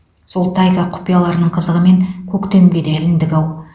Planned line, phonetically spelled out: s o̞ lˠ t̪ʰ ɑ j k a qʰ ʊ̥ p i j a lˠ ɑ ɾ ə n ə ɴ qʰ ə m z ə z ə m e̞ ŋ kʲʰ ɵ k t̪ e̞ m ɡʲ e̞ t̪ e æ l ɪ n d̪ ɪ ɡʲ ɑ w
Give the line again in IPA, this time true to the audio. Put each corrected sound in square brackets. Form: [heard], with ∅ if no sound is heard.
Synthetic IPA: s o̞ lˠ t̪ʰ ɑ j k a qʰ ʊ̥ p i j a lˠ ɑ ɾ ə n ə ɴ qʰ ə [∅] z ə [ʁ] ə m e̞ ŋ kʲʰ ɵ k t̪ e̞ m ɡʲ e̞ [d̪] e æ l ɪ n d̪ ɪ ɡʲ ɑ w

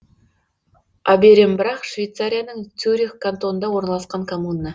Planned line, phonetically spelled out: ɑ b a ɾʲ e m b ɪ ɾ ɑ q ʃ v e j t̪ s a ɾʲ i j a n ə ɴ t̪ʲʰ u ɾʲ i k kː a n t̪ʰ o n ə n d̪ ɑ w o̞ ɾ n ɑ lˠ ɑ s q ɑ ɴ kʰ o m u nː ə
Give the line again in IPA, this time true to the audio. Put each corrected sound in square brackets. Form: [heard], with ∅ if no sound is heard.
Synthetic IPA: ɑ b [e] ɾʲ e m b ɪ ɾ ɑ q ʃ v e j t̪ s a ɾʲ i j a n ə ɴ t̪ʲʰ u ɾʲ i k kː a n [t̪] o n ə n d̪ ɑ w o̞ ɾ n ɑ lˠ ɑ s q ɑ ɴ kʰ o m u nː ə

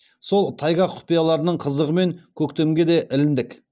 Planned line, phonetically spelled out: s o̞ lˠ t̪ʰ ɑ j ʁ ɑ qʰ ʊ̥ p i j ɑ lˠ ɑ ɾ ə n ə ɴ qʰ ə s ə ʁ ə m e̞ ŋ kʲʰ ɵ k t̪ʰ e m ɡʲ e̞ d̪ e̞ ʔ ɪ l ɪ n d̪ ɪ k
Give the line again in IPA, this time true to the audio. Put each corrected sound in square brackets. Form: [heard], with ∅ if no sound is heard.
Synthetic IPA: s o̞ lˠ t̪ʰ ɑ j ʁ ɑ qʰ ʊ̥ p i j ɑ lˠ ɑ ɾ ə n ə ɴ qʰ ə [z] ə ʁ ə m e̞ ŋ kʲʰ ɵ k [t̪] e m ɡʲ e̞ d̪ e̞ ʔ ɪ l ɪ n d̪ ɪ k

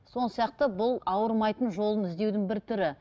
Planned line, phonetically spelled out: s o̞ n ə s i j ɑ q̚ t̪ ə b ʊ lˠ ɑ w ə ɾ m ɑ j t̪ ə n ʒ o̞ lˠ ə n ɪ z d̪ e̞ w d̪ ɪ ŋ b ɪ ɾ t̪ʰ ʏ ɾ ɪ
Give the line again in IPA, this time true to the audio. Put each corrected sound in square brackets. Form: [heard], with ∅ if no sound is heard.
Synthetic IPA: s o̞ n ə s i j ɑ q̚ t̪ ə b ʊ lˠ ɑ w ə ɾ m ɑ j t̪ ə n ʒ o̞ lˠ ə n ɪ z d̪ e̞ w d̪ ɪ ŋ b ɪ ɾ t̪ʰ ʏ ɾ ɪ

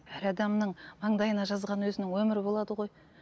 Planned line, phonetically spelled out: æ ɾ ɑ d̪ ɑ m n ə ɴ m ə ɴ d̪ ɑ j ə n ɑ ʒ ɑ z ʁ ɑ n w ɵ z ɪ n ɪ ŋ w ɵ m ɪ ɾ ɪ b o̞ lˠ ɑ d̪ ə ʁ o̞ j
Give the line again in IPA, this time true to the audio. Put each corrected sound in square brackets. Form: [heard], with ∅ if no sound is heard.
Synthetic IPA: æ ɾ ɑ d̪ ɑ m n ə ɴ m [ɑ] ɴ d̪ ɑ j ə n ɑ ʒ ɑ z ʁ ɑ n w ɵ z ɪ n ɪ ŋ w ɵ m ɪ ɾ ɪ b o̞ lˠ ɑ d̪ ə ʁ o̞ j

